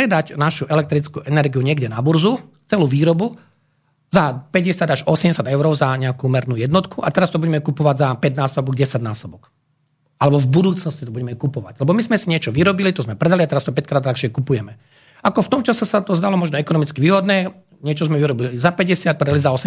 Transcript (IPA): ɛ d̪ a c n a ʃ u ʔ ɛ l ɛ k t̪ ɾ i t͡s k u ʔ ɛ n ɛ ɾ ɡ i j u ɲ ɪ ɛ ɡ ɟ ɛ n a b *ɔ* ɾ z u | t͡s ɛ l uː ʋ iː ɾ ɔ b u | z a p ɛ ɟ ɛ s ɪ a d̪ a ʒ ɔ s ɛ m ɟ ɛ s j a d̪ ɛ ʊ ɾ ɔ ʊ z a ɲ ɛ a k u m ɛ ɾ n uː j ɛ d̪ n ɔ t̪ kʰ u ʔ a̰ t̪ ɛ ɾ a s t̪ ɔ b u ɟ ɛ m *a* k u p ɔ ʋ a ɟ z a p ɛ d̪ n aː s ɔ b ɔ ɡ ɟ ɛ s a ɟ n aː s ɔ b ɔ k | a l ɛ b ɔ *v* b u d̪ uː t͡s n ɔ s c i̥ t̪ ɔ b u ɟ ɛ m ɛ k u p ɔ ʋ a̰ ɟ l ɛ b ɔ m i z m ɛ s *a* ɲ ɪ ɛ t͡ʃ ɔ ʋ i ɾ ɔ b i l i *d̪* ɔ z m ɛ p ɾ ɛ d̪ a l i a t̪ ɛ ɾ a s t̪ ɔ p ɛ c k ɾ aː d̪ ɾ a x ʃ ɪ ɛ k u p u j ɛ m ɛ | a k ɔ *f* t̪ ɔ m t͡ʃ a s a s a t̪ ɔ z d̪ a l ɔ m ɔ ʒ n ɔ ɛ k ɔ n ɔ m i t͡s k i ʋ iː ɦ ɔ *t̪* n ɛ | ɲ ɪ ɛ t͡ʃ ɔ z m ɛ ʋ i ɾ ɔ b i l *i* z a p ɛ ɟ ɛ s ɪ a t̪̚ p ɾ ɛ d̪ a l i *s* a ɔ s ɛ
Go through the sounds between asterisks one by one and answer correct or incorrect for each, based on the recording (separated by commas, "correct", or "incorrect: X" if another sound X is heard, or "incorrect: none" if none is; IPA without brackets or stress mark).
incorrect: u, incorrect: ɛ, correct, incorrect: i, incorrect: t̪, correct, incorrect: d̪, correct, incorrect: z